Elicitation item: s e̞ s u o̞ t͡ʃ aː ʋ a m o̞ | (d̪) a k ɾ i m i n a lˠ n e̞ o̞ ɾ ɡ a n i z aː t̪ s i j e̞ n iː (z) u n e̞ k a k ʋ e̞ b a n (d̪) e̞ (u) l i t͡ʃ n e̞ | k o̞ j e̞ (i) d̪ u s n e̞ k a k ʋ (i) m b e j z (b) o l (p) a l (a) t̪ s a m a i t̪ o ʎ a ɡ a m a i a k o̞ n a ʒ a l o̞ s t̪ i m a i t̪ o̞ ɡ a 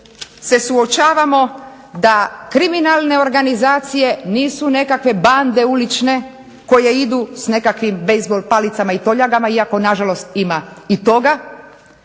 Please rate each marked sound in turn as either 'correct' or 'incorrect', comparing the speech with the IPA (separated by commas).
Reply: correct, incorrect, correct, correct, correct, correct, correct, correct, incorrect